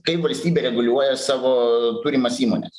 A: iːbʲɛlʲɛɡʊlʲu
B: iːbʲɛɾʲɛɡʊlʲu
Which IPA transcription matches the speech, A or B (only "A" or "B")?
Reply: B